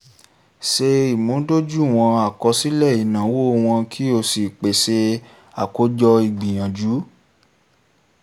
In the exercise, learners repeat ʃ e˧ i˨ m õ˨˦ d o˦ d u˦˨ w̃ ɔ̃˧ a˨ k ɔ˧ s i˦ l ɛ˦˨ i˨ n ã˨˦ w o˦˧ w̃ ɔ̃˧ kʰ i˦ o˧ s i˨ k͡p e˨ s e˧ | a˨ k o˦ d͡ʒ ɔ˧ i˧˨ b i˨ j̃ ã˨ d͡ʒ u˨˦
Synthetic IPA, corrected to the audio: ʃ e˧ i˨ m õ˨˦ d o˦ d͡ʒ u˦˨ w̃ ɔ̃˧ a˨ k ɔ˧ s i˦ l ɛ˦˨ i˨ n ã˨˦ w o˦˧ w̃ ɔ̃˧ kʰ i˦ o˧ s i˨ k͡p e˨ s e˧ | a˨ k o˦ d͡ʒ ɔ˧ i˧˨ ɡ͡b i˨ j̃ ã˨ d͡ʒ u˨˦